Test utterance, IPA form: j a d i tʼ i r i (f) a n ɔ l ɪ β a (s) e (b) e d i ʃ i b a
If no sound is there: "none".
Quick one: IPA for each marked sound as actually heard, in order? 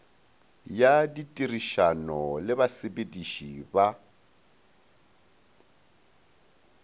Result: ʃ, s, b

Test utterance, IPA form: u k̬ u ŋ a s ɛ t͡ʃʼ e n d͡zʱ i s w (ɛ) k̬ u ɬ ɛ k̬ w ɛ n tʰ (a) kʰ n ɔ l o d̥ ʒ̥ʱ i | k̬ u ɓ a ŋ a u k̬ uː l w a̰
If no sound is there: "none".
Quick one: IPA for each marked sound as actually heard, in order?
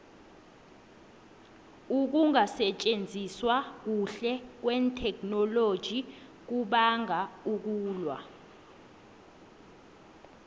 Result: a, ɛ

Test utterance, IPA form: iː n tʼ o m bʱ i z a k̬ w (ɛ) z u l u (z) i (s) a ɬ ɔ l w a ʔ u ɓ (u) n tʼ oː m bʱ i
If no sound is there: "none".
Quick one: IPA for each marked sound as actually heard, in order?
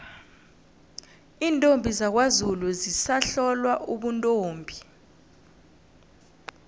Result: a, z, s, u

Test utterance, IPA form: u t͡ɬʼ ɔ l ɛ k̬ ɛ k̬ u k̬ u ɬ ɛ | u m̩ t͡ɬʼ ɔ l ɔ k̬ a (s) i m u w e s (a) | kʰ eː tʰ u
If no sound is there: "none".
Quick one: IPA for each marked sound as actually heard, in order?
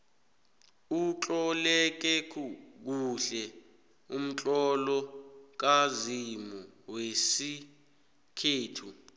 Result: z, i

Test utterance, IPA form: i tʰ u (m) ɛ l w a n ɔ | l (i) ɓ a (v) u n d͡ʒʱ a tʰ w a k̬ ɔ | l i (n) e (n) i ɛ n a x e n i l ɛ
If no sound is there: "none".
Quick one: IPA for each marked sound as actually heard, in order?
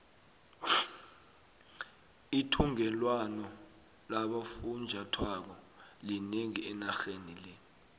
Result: ŋ, a, f, n, ŋ

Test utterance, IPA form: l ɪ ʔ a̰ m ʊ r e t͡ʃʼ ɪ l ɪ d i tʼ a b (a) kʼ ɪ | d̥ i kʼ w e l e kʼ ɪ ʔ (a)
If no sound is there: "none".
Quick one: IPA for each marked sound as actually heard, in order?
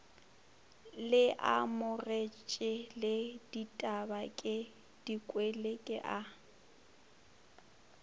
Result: a, a

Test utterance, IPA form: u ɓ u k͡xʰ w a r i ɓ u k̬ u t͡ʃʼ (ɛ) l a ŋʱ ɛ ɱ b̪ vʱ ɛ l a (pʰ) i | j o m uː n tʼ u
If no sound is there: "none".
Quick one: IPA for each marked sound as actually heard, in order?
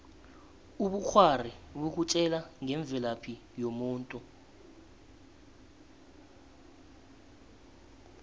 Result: ɛ, pʰ

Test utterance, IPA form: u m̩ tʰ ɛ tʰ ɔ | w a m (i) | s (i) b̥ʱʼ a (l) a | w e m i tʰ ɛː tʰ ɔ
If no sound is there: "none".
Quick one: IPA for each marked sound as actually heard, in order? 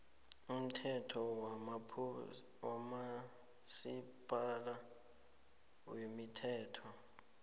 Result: a, i, l

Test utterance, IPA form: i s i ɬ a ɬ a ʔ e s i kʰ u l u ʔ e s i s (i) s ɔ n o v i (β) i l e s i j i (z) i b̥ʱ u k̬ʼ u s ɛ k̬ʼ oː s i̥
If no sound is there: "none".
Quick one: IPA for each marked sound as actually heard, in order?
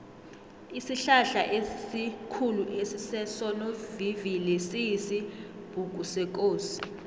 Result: ɛ, v, s

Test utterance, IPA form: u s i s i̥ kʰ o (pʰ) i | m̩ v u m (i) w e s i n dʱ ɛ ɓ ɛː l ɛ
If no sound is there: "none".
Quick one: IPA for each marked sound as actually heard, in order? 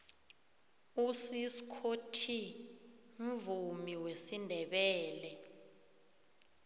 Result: tʰ, i

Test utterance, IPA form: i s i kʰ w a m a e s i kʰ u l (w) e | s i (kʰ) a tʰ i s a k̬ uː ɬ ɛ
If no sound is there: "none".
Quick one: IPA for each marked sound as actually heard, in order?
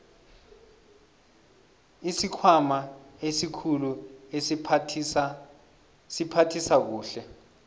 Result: u, pʰ

